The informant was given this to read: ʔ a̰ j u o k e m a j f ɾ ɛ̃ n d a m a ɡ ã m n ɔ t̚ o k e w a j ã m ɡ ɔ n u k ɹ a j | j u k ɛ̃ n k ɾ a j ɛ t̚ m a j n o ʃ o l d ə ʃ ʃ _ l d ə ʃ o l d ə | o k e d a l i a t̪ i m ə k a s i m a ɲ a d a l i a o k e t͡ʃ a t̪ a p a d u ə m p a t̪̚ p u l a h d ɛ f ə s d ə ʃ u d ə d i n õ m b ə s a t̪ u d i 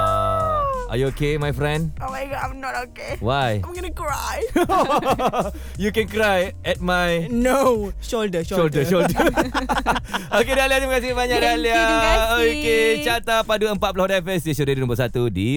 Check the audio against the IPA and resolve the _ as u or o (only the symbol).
o